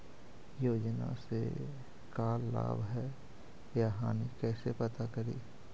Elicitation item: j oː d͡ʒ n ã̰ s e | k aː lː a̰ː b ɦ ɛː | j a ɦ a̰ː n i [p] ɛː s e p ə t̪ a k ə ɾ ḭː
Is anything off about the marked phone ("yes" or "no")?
yes